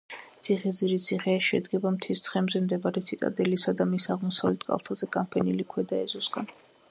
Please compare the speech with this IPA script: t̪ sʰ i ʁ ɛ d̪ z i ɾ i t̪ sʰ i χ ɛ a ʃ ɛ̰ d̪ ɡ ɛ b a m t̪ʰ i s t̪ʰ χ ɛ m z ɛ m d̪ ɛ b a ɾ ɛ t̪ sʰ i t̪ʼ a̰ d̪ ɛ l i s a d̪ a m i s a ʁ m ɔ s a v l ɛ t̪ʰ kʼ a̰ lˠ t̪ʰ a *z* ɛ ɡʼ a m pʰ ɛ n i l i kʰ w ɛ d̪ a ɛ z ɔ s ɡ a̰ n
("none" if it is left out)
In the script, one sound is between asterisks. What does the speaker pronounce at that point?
z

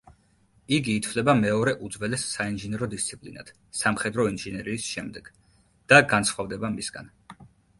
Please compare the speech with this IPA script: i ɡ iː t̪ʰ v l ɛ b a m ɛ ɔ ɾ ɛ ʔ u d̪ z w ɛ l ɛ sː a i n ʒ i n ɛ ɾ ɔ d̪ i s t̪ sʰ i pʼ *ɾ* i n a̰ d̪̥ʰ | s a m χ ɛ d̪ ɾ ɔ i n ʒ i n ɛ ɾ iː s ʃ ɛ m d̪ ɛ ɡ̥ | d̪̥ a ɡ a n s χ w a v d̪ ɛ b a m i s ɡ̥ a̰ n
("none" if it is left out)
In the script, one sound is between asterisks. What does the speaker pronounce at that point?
l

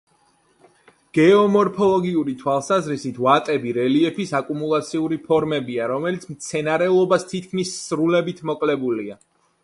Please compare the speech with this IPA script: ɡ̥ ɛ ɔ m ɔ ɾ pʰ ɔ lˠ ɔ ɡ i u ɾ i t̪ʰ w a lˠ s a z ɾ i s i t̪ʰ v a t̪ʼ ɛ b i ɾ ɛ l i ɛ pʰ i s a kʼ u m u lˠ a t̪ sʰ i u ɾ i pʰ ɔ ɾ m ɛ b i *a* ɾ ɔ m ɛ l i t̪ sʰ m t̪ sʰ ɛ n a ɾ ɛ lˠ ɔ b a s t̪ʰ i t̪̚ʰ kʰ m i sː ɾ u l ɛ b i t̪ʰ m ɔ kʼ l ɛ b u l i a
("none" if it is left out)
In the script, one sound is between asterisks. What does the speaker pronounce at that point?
a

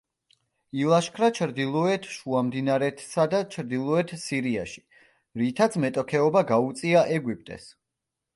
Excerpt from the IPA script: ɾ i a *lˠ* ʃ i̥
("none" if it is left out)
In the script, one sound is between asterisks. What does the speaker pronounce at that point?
none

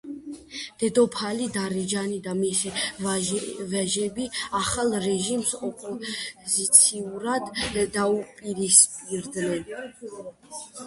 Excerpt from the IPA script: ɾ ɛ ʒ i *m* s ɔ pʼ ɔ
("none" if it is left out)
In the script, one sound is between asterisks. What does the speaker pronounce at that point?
m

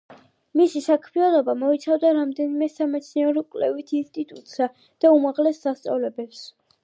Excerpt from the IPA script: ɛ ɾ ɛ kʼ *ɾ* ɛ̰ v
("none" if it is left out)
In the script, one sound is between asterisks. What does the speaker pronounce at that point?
l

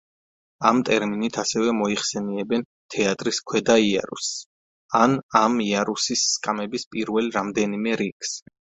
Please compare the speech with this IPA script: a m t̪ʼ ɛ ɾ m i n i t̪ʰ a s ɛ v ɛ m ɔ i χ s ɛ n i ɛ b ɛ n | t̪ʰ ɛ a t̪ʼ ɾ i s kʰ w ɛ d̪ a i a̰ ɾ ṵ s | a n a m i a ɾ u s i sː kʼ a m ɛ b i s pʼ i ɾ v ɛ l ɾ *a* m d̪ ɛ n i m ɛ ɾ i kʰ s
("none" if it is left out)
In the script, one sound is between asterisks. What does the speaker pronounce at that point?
a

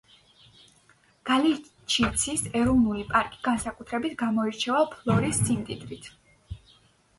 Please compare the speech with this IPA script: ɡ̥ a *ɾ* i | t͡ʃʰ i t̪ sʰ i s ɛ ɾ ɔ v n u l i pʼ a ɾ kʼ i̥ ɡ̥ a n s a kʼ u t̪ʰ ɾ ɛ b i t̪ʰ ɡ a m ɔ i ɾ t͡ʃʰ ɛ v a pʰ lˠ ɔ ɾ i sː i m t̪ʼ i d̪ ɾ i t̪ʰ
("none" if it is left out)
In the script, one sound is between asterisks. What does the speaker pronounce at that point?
l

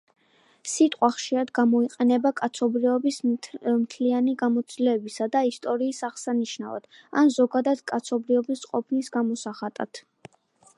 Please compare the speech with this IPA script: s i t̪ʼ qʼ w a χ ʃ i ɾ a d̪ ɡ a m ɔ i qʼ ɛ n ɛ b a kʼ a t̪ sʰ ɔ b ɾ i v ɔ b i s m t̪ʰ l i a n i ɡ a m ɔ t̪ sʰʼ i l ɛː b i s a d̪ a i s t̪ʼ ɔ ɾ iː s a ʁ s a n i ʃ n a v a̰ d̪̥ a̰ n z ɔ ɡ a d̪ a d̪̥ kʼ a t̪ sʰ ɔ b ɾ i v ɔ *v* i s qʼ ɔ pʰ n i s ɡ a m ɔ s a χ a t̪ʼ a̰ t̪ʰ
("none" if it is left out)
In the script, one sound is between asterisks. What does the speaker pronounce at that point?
b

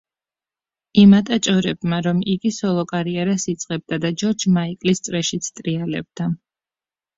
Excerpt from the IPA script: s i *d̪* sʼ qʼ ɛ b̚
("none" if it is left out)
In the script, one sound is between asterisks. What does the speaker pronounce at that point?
t̪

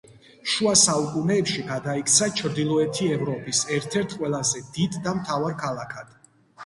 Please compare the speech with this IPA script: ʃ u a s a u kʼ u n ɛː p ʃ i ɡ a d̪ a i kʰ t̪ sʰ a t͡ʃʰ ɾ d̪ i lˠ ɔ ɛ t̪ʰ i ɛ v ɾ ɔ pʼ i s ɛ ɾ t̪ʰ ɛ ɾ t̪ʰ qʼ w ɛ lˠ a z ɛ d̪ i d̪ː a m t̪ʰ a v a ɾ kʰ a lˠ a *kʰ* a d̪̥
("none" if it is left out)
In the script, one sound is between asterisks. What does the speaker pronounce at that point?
kʰ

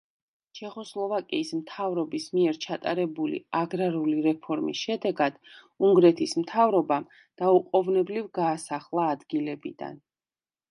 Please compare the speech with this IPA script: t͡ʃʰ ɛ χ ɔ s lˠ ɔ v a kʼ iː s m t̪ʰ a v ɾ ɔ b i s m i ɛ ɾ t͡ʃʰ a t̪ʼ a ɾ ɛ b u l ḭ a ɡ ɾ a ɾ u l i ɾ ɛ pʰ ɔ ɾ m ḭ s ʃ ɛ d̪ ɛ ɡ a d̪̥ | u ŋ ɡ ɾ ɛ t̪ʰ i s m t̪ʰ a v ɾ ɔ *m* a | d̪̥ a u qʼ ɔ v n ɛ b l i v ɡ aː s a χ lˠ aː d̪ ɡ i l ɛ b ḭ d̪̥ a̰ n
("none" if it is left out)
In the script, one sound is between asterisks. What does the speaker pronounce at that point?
b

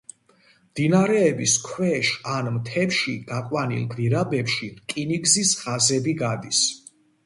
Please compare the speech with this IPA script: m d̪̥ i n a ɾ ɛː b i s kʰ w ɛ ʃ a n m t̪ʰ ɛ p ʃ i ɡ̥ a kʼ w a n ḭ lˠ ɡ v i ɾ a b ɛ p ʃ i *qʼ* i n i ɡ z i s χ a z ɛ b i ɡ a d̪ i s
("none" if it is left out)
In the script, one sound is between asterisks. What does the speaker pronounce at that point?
kʼ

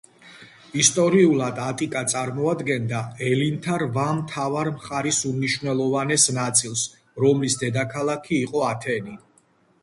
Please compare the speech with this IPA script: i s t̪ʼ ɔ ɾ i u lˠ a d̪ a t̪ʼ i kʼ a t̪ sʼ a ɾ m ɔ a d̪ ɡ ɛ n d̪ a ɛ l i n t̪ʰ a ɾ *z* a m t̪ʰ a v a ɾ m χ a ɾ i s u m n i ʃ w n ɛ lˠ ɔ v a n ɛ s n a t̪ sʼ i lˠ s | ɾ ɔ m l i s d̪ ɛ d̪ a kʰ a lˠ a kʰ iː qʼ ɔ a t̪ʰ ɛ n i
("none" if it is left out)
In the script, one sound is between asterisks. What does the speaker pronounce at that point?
v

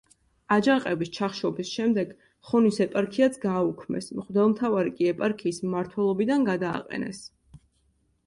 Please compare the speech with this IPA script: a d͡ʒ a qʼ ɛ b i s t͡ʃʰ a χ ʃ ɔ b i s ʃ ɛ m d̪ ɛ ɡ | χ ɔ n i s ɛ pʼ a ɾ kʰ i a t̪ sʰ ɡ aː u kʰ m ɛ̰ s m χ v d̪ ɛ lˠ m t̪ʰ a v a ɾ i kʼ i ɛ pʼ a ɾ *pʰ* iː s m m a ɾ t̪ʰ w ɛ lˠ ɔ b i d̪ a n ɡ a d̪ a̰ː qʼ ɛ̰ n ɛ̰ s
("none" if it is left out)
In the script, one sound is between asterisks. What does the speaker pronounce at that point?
kʰ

